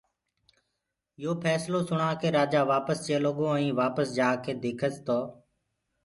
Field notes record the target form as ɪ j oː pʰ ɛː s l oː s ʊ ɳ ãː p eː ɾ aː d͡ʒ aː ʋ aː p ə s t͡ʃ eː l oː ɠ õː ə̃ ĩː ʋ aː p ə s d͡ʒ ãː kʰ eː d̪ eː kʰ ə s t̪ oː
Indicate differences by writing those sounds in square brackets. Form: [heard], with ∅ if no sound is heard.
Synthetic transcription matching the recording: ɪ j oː pʰ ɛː s l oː s ʊ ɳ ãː [k] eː ɾ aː d͡ʒ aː ʋ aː p ə s t͡ʃ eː l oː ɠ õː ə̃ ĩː ʋ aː p ə s d͡ʒ [aː] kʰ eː d̪ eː kʰ ə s t̪ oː